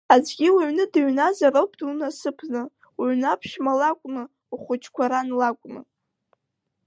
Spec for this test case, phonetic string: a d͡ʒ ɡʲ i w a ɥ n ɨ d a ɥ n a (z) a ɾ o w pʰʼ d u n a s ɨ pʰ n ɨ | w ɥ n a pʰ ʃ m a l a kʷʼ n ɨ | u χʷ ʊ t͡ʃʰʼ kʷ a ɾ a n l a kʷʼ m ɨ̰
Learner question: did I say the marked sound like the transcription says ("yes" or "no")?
yes